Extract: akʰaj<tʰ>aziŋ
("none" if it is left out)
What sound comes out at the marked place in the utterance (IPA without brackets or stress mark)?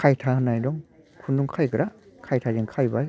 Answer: tʰ